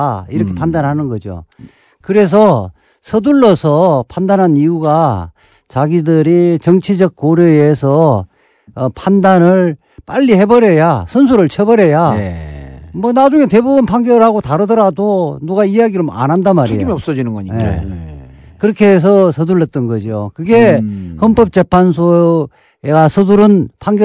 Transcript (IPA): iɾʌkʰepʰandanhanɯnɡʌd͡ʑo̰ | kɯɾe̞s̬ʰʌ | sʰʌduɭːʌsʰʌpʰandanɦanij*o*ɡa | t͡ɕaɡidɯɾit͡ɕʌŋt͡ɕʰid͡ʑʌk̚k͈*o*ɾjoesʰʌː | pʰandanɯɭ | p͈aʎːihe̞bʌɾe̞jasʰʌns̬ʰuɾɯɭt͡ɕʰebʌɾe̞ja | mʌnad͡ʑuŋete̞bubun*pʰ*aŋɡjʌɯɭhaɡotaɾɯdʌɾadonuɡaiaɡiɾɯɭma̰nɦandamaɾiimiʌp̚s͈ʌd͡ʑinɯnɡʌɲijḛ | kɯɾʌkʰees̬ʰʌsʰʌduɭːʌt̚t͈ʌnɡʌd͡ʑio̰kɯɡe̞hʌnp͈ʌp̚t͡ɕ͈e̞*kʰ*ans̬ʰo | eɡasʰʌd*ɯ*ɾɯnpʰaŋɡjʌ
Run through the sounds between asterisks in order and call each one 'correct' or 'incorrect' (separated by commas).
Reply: incorrect, correct, correct, incorrect, incorrect